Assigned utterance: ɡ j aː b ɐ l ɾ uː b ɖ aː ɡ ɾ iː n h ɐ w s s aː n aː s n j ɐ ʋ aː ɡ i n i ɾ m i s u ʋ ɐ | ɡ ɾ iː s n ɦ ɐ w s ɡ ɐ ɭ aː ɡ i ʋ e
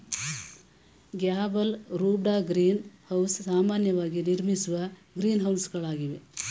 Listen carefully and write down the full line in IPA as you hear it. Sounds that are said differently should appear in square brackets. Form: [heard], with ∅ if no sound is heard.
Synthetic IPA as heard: ɡ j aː b ɐ l ɾ uː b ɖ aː ɡ ɾ iː n h ɐ w s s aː [m] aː [∅] n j ɐ ʋ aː ɡ i n i ɾ m i s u ʋ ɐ | ɡ ɾ iː [∅] n ɦ ɐ w s ɡ ɐ ɭ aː ɡ i ʋ e